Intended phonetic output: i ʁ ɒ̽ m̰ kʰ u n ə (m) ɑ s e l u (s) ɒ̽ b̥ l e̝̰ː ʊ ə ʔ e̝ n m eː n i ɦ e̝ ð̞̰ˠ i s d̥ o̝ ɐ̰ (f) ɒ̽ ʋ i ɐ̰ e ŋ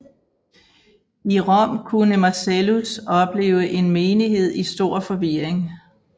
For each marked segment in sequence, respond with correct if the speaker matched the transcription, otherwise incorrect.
correct, correct, correct

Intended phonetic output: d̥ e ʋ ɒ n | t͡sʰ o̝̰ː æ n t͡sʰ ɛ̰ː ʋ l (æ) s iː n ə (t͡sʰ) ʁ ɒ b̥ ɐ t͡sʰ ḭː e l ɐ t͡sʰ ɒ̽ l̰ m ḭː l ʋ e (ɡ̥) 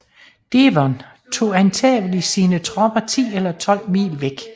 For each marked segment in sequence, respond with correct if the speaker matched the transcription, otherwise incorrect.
incorrect, correct, correct

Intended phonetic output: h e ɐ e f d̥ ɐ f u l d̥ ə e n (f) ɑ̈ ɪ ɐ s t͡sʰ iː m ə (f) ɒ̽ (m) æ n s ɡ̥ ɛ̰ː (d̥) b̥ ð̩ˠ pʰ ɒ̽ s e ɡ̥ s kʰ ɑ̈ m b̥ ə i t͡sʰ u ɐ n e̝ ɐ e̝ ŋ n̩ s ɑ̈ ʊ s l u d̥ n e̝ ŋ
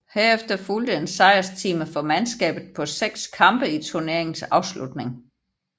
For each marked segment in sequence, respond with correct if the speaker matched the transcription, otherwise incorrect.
incorrect, correct, correct, incorrect

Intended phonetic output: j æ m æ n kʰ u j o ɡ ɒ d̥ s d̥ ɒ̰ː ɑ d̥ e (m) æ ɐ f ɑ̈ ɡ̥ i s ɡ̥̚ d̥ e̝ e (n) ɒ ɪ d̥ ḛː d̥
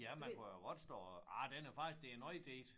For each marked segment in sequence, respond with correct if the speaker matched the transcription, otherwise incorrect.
incorrect, correct

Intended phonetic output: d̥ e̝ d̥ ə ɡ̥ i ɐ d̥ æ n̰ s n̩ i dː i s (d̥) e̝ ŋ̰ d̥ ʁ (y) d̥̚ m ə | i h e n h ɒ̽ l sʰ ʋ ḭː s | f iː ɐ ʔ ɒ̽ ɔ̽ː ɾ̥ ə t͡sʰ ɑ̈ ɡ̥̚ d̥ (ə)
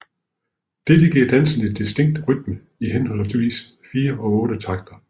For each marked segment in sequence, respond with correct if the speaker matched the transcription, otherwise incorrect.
correct, correct, incorrect

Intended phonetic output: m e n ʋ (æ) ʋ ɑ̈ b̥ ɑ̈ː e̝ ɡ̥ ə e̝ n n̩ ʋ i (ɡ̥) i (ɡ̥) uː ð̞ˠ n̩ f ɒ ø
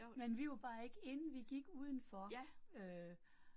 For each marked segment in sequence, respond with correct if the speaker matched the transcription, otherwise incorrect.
incorrect, correct, correct

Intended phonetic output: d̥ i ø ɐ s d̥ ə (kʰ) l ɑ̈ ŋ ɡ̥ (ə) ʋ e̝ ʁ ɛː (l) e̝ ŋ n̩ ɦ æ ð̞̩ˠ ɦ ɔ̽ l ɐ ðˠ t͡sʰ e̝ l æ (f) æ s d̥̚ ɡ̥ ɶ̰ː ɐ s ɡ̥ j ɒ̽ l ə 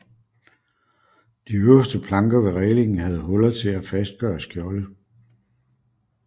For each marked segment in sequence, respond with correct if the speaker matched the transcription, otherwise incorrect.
incorrect, incorrect, correct, correct

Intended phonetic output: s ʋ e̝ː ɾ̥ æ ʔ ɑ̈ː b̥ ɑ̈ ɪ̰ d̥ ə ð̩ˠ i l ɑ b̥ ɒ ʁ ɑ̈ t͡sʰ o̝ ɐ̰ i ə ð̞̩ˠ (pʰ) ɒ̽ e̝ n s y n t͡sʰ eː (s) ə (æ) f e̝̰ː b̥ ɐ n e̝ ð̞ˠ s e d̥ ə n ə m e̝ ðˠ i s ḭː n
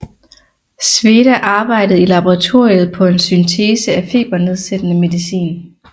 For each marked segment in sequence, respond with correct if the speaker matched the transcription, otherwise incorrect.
correct, correct, correct

